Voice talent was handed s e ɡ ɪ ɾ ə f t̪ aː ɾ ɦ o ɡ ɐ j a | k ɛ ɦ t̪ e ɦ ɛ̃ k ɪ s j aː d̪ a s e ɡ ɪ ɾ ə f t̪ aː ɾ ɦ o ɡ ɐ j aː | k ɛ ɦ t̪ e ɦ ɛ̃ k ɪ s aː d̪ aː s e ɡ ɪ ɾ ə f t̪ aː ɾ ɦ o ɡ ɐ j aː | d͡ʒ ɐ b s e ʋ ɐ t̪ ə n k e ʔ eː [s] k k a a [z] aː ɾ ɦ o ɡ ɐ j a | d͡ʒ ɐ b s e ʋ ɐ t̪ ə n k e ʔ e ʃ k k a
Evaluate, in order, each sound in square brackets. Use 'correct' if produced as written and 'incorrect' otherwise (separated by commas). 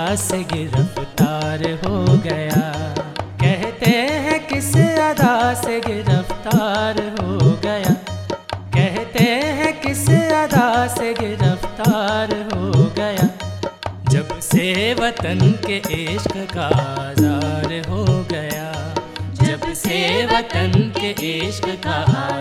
incorrect, correct